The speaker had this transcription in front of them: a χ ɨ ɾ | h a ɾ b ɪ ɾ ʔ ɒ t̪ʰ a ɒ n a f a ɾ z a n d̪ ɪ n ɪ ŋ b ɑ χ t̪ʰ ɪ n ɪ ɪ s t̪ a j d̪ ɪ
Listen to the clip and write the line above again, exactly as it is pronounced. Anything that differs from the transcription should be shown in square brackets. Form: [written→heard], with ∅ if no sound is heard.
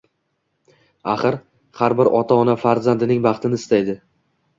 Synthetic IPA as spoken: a χ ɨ ɾ | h a ɾ b ɪ ɾ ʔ ɒ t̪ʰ a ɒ n a f a ɾ z a n d̪ ɪ n ɪ ŋ b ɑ χ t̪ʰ ɪ n ɪ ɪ s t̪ a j d̪ ɪ